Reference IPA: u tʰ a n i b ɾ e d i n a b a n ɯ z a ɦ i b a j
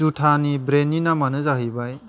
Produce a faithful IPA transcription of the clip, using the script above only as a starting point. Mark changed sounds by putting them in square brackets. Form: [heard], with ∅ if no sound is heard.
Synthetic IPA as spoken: u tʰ a n i b ɾ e [n] i n a [m] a n ɯ z a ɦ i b a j